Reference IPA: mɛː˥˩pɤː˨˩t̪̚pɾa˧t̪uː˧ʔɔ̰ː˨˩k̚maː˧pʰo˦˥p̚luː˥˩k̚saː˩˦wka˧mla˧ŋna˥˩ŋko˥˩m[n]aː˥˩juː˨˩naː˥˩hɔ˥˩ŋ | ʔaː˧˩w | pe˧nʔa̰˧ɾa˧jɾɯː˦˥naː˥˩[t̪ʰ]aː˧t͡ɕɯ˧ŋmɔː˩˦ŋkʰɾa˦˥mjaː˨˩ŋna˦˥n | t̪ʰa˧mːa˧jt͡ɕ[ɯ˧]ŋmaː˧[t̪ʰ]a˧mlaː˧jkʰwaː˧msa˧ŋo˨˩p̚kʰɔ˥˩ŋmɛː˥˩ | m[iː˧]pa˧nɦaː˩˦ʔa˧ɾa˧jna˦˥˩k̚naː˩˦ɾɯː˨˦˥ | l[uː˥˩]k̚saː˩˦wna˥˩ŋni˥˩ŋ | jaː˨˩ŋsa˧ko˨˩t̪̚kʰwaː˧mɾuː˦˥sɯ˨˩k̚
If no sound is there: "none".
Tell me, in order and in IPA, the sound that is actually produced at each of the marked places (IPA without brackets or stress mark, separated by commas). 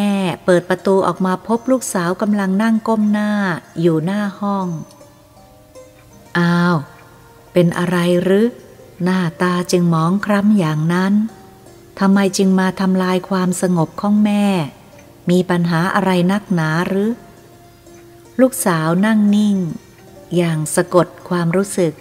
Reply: n, t̪, ɯ˧, t̪ʰ, iː˧, uː˥˩